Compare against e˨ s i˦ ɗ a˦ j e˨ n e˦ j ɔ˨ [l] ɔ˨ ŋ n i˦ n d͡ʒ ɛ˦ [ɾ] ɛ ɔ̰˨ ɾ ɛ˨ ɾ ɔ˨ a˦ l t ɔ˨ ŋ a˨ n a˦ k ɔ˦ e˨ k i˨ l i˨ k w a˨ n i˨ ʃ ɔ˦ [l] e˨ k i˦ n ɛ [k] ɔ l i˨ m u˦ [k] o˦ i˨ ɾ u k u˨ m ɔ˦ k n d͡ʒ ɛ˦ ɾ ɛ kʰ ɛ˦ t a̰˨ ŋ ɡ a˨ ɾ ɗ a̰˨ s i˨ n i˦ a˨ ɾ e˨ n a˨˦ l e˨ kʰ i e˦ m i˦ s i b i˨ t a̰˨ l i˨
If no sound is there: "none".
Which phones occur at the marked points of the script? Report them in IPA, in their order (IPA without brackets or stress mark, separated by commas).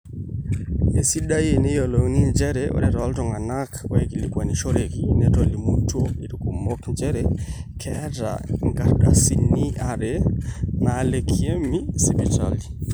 l, ɾ, ɾ, t, t